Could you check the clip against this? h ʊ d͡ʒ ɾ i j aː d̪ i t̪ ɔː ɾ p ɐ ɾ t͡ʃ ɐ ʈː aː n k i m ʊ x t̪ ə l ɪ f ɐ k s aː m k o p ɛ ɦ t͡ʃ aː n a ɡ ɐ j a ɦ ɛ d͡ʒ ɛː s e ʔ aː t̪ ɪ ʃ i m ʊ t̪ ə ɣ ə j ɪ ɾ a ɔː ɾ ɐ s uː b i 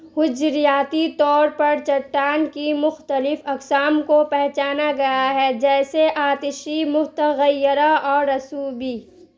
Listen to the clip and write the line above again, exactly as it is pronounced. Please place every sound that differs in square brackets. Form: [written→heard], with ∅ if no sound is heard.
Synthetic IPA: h ʊ d͡ʒ ɾ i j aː [d̪→t̪] i t̪ ɔː ɾ p ɐ ɾ t͡ʃ ɐ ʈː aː n k i m ʊ x t̪ ə l ɪ f ɐ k s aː m k o p ɛ ɦ t͡ʃ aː n a ɡ ɐ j a ɦ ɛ d͡ʒ ɛː s e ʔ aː t̪ ɪ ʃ i m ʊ t̪ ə ɣ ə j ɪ ɾ a ɔː ɾ ɐ s uː b i